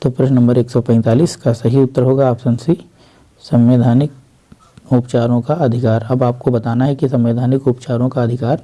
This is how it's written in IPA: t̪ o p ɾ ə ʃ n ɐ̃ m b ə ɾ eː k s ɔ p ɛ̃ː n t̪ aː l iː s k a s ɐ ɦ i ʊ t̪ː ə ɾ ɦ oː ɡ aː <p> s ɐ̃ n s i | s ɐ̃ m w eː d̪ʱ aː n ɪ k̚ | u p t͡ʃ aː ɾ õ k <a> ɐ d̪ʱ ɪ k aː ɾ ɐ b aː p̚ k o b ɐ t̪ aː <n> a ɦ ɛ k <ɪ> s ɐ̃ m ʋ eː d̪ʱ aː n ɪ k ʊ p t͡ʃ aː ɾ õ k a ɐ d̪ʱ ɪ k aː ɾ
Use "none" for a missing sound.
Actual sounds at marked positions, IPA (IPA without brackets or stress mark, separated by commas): p, a, n, i